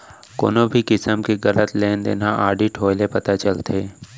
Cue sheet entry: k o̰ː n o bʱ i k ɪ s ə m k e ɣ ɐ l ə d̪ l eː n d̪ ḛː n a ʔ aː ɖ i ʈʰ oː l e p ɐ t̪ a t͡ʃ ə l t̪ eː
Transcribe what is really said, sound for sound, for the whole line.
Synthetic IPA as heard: k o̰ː n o bʱ i k ɪ s ə m k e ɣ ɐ l ə t̪ l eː n d̪ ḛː n a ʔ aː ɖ i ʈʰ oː l e p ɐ t̪ a t͡ʃ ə l t̪ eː